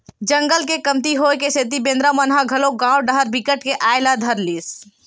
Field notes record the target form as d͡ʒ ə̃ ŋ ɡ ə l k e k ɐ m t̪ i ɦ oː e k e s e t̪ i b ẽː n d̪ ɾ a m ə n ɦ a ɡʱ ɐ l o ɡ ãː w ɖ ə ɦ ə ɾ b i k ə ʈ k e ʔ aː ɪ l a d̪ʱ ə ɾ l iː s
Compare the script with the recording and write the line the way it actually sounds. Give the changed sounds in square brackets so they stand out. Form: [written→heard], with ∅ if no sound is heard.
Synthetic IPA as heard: d͡ʒ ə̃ ŋ ɡ ə l k e k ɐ m t̪ i ɦ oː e k e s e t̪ i b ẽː n d̪ ɾ a m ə n ɦ a ɡʱ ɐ l o ɡ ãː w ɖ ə ɦ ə ɾ b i k ə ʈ k e ʔ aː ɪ l a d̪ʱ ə ɾ l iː s